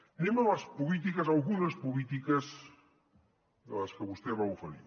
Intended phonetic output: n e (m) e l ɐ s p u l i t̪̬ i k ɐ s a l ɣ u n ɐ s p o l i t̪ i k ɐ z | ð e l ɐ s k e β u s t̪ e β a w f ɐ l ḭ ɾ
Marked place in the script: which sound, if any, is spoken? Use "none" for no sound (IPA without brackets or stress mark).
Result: m